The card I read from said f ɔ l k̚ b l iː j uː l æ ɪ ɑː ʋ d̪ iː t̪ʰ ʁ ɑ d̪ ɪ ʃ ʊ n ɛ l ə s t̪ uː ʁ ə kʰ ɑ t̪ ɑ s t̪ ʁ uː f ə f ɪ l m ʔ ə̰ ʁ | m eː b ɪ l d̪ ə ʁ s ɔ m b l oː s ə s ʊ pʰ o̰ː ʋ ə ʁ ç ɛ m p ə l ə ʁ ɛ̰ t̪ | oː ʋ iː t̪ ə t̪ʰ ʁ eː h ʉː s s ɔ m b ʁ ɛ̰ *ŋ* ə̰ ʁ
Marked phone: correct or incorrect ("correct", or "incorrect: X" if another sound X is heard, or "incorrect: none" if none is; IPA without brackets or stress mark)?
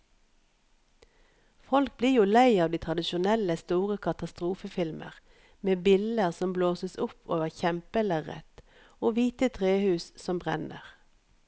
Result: incorrect: n